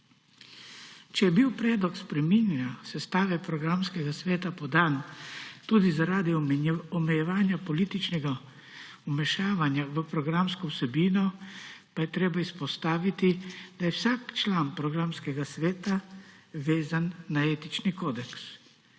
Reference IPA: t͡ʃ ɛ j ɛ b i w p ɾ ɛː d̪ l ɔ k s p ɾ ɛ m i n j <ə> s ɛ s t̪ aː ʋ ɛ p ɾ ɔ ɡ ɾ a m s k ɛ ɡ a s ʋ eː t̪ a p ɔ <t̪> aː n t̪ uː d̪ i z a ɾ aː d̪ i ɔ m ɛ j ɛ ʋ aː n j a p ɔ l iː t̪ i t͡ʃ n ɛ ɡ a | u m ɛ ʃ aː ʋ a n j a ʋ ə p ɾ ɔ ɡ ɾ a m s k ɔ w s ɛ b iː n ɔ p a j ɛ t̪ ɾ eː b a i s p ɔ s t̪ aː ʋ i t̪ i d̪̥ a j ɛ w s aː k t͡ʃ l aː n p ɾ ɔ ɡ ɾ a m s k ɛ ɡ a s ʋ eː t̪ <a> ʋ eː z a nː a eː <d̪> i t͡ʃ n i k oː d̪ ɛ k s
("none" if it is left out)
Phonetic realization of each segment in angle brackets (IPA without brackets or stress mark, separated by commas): a, d̪, a, t̪